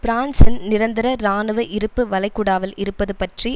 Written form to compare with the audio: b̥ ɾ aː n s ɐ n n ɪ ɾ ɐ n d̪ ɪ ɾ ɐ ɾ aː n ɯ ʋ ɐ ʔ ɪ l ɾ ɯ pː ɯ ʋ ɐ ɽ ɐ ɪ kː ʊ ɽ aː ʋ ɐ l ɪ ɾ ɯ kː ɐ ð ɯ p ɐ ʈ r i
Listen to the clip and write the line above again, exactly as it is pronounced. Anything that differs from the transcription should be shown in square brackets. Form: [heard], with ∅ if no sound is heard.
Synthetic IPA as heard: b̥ ɾ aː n s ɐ n n ɪ ɾ ɐ n d̪ ɪ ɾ ɐ ɾ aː n ɯ ʋ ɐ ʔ ɪ [∅] ɾ ɯ pː ɯ ʋ ɐ [l] ɐ ɪ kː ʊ ɽ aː ʋ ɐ l ɪ ɾ ɯ [pː] ɐ ð ɯ p ɐ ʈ r i